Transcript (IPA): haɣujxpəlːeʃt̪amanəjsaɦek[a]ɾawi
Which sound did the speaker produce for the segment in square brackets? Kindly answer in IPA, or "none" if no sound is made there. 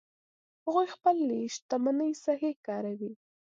ɑ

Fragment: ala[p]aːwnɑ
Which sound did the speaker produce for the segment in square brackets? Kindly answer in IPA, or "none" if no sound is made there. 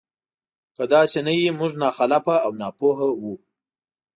p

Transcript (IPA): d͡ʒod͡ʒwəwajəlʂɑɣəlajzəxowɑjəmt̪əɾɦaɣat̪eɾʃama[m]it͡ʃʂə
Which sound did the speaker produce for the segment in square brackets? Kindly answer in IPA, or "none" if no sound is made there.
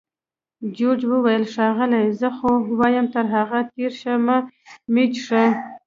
m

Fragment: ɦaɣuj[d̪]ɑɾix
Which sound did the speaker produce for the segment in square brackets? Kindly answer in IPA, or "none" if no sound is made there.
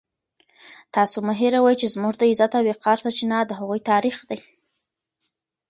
t̪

